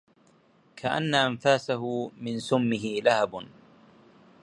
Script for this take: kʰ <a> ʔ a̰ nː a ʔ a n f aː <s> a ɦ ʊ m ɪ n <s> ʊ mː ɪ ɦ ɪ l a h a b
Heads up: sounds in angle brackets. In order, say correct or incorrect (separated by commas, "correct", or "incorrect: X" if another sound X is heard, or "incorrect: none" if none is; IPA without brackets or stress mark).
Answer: correct, correct, correct